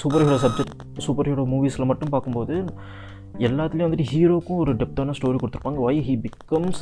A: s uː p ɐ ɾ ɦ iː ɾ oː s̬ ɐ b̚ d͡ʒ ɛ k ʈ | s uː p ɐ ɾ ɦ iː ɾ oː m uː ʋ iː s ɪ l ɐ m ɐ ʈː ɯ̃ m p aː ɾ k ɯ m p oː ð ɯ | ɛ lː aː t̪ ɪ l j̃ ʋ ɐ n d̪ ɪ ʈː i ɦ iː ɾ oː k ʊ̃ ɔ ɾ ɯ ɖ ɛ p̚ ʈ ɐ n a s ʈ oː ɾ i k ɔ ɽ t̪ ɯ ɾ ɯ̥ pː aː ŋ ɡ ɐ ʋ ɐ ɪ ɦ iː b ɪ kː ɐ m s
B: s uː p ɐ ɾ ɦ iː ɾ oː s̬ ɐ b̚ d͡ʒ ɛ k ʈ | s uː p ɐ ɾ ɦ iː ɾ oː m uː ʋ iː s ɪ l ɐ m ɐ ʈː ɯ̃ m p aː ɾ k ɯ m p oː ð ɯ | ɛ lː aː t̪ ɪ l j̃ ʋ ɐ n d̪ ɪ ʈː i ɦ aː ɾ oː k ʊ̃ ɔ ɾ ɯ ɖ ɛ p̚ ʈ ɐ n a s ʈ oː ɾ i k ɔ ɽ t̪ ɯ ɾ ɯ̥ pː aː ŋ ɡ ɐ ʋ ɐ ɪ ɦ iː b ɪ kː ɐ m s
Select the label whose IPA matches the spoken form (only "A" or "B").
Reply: A